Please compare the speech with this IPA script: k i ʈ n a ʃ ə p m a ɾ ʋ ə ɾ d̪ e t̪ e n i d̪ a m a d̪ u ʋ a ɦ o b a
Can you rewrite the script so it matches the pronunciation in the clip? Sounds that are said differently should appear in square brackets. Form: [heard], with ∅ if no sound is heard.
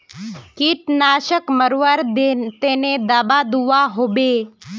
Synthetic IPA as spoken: k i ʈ n a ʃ ə [k] m [ə] ɾ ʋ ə ɾ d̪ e t̪ e n [e] d̪ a [b] a d̪ u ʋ a ɦ o b [e]